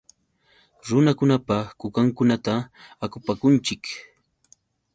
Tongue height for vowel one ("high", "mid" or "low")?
high